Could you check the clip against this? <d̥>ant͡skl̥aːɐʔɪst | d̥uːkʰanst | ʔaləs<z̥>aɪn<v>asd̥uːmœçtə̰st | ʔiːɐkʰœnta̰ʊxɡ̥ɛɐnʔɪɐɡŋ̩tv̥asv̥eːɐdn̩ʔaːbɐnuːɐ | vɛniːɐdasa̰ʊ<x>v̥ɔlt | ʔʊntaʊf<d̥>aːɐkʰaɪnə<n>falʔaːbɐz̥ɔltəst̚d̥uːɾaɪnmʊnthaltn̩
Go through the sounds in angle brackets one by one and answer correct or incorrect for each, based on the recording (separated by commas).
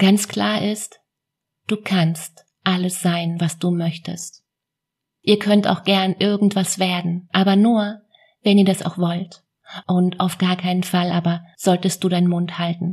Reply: incorrect, correct, correct, correct, incorrect, correct